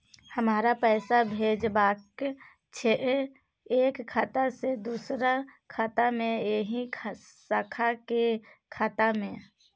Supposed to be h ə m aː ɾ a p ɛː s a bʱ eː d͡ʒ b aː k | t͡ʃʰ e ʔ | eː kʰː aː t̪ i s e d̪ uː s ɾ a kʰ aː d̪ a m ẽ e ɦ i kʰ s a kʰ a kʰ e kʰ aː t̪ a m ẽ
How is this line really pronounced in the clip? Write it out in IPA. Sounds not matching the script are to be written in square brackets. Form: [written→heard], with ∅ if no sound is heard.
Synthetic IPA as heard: h ə m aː ɾ a p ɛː s a bʱ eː d͡ʒ b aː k | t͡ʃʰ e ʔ | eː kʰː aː t̪ [i→a] s e d̪ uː s ɾ a kʰ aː [d̪→t̪] a m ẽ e ɦ i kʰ s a kʰ a [kʰ→k] e kʰ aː t̪ a m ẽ

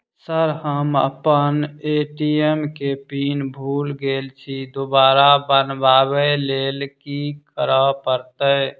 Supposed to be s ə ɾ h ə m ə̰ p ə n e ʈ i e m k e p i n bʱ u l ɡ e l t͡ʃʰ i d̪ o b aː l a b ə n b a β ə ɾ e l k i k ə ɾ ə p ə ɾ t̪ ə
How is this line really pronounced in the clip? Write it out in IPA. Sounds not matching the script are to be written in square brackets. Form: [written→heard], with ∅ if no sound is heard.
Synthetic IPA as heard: s ə ɾ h ə m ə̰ p ə n e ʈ i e m k e p i n bʱ u l ɡ e l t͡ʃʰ i d̪ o b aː [l→ɾ] a b ə n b a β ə [ɾ→l] e l k i k ə ɾ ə p ə ɾ t̪ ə

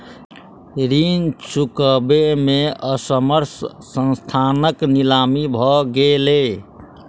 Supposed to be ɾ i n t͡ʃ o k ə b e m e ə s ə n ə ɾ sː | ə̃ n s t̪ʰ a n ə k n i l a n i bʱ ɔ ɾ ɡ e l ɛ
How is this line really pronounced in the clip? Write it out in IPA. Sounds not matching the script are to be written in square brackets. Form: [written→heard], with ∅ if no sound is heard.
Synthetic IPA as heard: ɾ i n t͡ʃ [o→u] k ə b e m e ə s ə [n→m] ə ɾ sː | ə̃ n s t̪ʰ a n ə k n i l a [n→m] i bʱ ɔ [ɾ→∅] ɡ e l [ɛ→e]

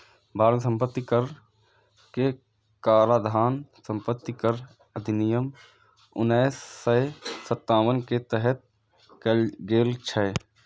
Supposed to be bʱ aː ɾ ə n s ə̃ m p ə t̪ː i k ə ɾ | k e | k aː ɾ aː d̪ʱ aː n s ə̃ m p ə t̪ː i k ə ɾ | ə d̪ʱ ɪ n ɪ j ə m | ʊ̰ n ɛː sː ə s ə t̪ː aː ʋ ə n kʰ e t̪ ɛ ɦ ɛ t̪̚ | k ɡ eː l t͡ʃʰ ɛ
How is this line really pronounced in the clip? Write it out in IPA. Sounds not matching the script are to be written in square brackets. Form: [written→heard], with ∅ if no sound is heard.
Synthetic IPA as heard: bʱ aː ɾ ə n s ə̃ m p ə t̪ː i k ə ɾ | k e | k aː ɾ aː d̪ʱ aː n s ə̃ m p ə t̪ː i k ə ɾ | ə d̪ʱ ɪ n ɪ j ə m | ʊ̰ n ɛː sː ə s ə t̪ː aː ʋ ə n [kʰ→k] e t̪ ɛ ɦ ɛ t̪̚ | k ɡ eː l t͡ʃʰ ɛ

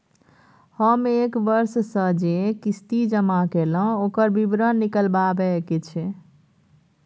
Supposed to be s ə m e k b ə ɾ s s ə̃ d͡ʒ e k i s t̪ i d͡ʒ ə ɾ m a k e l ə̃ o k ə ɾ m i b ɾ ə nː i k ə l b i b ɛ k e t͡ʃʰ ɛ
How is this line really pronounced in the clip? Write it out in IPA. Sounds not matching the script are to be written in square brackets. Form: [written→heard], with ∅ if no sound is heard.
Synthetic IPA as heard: [s→h] ə m e k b ə ɾ s s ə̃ d͡ʒ e k i s t̪ i d͡ʒ ə [ɾ→∅] m a k e l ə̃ o k ə ɾ [m→b] i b ɾ ə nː i k ə l b [i→a] b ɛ k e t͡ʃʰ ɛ

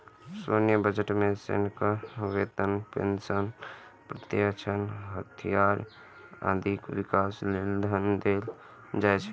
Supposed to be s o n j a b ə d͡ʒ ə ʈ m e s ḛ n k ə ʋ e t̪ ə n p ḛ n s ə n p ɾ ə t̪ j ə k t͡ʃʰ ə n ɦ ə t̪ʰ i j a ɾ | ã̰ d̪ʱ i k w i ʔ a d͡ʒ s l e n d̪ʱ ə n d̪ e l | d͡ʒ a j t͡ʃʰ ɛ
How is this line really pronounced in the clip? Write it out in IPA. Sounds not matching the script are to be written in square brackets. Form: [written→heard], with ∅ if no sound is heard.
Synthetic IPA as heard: s o n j [a→ə] b ə d͡ʒ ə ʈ m e s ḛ n k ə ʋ e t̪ ə n p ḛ n s ə n p ɾ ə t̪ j ə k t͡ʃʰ ə n ɦ ə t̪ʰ i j a ɾ | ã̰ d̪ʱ i k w i [ʔ→k] a [d͡ʒ→∅] s l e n d̪ʱ ə n d̪ e l | d͡ʒ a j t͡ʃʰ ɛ

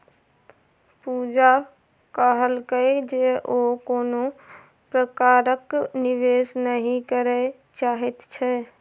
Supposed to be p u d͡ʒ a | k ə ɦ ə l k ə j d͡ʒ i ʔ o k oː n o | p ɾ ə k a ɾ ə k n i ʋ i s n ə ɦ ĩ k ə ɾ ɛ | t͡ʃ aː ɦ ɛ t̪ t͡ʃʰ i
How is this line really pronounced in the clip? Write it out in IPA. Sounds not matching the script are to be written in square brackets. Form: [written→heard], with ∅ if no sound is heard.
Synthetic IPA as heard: p u d͡ʒ a | k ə ɦ ə l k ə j d͡ʒ [i→e] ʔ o k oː n o | p ɾ ə k a ɾ ə k n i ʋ [i→e] s n ə ɦ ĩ k ə ɾ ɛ | t͡ʃ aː ɦ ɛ t̪ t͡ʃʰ [i→ɛ]

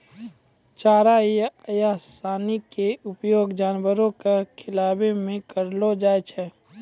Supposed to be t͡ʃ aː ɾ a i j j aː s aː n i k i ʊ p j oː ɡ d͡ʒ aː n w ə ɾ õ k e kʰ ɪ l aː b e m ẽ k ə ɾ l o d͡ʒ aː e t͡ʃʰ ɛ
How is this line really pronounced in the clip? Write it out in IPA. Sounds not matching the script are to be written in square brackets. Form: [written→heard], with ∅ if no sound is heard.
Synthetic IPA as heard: t͡ʃ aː ɾ a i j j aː s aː n i k [i→e] ʊ p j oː ɡ d͡ʒ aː n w ə ɾ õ k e kʰ ɪ l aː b e m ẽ k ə ɾ l o d͡ʒ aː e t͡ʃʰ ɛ

